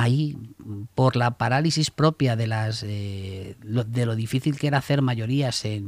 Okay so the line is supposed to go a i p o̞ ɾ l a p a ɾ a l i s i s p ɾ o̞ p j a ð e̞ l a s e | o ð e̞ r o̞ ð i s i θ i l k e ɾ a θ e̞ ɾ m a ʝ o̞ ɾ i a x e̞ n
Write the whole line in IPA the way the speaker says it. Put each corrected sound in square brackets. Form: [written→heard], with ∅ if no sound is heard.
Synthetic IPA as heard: a i p o̞ ɾ l a p a ɾ a l i s i s p ɾ o̞ p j a ð e̞ l a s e | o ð e̞ [r→l] o̞ ð i [s→f] i θ i l k e ɾ a θ e̞ ɾ m a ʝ o̞ ɾ i a [x→s] e̞ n